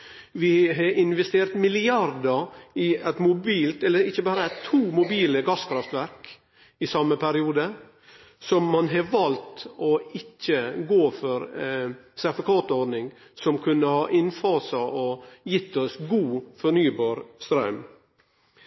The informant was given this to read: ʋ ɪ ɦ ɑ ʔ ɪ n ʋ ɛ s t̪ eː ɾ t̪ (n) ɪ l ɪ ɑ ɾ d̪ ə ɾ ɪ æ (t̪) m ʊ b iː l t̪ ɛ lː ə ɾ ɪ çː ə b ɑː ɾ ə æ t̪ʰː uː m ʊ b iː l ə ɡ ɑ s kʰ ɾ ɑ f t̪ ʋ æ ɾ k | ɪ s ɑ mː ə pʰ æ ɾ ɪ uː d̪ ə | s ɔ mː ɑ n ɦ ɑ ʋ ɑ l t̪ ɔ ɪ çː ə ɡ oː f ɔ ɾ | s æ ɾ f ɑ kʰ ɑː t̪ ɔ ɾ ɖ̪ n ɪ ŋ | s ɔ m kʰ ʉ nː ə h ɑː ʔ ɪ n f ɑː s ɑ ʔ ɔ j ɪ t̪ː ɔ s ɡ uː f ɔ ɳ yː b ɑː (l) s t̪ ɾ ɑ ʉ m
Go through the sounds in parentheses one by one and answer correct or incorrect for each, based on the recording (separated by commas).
incorrect, correct, incorrect